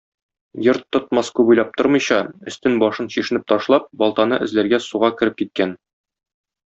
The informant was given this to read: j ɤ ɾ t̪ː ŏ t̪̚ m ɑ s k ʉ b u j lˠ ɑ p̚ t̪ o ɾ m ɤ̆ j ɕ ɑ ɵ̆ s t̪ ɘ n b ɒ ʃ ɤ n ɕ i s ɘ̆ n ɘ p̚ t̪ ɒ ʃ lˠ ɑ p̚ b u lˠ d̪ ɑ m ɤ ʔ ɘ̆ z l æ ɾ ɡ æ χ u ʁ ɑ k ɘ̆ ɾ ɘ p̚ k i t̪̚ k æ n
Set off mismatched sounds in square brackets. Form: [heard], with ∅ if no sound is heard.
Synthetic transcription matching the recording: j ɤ ɾ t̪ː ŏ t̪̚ m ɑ s k ʉ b u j lˠ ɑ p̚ t̪ o ɾ m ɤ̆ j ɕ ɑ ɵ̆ s t̪ ɘ n b ɒ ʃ ɤ n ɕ i [ʃ] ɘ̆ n ɘ p̚ t̪ ɒ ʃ lˠ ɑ p̚ b [ɒ] lˠ [t̪] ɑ [n] ɤ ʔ ɘ̆ z l æ ɾ ɡ æ [s] u ʁ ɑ k ɘ̆ ɾ ɘ p̚ k i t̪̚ k æ n